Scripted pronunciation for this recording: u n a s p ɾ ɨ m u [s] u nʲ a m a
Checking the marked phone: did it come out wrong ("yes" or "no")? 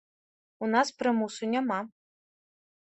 no